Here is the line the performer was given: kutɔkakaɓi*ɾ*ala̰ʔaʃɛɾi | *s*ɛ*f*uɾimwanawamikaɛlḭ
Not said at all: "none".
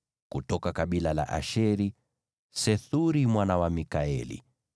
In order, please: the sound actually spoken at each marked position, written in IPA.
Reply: l, s, θ

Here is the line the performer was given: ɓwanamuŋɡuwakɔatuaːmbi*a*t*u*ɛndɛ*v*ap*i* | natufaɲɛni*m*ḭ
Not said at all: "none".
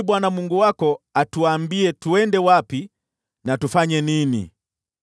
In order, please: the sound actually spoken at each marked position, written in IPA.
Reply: ɛ, u, w, i, n

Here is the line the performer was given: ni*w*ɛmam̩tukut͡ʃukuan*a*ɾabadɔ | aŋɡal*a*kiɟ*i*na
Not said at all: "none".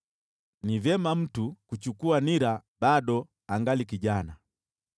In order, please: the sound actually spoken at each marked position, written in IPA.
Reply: v, i, i, a

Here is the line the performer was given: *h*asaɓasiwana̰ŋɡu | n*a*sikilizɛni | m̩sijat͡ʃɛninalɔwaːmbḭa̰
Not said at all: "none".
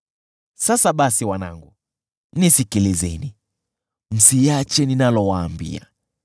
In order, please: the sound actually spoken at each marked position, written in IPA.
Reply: s, i

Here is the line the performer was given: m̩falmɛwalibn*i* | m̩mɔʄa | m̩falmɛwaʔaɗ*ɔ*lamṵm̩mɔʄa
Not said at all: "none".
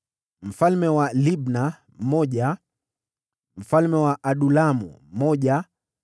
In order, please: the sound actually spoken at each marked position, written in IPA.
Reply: a, u

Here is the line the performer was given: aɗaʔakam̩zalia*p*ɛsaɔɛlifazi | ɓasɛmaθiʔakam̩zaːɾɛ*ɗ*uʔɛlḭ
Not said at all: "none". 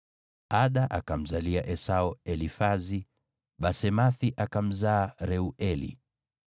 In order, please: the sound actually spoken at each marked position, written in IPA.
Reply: ʔ, none

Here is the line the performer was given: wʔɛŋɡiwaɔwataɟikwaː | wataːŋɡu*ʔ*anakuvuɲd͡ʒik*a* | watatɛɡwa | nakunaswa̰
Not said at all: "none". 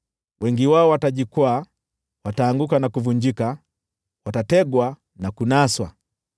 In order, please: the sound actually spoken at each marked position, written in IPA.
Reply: k, a

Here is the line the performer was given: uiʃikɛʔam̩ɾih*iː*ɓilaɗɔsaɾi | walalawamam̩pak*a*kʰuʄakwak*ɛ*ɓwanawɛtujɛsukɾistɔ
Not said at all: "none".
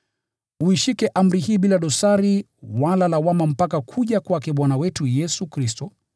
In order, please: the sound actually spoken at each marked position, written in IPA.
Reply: iː, a, ɛ

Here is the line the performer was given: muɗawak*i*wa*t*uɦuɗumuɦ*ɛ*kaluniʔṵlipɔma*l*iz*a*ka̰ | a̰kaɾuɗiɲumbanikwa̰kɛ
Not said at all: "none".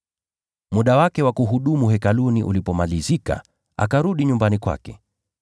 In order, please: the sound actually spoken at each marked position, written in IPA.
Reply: ɛ, k, ɛ, l, i

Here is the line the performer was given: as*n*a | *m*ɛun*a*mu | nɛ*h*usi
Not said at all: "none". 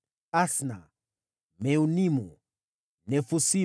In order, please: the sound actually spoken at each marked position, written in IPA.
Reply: n, m, i, f

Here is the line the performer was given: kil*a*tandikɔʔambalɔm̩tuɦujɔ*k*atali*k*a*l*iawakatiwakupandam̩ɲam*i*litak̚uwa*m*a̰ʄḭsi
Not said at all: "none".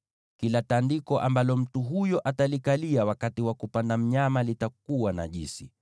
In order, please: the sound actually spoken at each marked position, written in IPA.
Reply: a, ʔ, k, l, a, n

